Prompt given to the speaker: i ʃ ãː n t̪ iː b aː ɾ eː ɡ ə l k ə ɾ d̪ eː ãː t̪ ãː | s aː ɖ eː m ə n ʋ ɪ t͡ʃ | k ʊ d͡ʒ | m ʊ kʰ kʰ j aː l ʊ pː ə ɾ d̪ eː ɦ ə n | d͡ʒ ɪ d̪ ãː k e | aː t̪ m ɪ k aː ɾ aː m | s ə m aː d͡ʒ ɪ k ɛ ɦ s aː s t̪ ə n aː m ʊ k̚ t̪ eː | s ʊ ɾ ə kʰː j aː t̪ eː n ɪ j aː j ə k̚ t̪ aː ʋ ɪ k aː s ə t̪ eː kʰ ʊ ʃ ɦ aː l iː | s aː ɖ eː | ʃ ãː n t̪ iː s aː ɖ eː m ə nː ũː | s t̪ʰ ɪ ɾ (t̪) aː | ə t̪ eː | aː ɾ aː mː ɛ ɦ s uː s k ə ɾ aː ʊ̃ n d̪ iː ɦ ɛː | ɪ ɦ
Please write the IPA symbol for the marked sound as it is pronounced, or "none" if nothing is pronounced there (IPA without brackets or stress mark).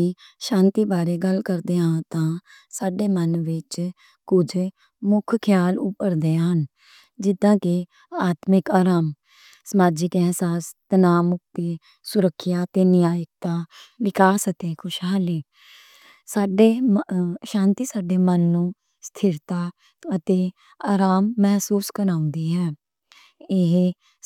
t̪